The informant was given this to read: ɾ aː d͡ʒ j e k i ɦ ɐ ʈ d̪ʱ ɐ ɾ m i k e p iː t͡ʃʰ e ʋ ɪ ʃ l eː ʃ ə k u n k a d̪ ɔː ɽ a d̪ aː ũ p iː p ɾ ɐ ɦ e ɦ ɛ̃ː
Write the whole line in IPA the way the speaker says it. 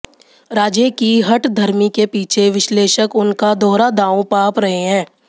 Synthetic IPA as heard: ɾ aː d͡ʒ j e k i ɦ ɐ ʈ d̪ʱ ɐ ɾ m i k e p iː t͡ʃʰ e ʋ ɪ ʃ l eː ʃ ə k ʊ n k a d̪ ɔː ɾ a d̪ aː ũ p aː p ɾ ɐ ɦ e ɦ ɛ̃ː